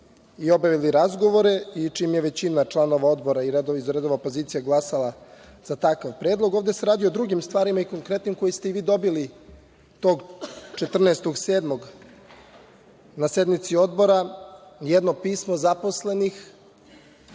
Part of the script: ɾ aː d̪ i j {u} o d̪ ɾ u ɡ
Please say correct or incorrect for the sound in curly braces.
incorrect